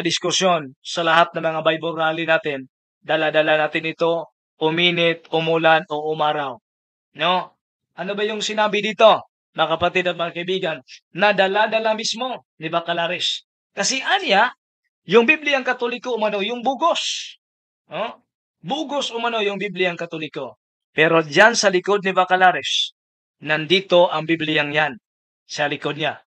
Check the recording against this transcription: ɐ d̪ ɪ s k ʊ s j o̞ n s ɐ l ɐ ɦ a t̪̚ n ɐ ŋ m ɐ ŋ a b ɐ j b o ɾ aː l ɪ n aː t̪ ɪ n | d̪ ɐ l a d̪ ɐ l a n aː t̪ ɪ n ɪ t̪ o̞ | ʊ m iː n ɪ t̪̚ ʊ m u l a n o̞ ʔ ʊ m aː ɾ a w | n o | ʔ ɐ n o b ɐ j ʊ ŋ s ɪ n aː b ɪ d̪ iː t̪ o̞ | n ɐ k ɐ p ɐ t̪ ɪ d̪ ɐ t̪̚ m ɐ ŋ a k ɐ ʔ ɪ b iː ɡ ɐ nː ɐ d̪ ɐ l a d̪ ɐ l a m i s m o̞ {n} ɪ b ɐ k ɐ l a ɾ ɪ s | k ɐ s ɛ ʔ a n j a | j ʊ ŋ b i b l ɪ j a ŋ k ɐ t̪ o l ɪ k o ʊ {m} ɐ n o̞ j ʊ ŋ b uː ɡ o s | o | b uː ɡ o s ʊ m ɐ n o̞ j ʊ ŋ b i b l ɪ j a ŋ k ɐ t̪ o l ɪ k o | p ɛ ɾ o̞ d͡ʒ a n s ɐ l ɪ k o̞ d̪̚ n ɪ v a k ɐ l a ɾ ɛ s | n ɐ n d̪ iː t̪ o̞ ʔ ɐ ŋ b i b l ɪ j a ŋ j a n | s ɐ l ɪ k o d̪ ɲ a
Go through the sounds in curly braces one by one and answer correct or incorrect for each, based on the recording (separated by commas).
correct, correct